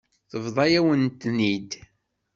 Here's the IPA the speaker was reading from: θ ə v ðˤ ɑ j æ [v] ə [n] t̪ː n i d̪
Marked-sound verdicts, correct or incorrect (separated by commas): incorrect, correct